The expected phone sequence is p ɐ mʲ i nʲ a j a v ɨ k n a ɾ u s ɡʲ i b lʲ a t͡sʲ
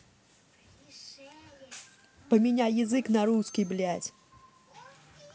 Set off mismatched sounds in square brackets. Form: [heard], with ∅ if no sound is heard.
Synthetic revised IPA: p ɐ mʲ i nʲ a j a [z] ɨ k n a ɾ u s [kʲ] i b lʲ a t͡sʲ